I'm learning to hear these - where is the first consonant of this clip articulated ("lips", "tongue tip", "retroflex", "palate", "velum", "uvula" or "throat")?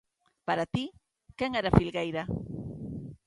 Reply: lips